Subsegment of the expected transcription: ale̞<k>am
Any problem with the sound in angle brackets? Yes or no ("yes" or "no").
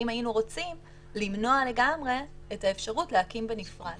yes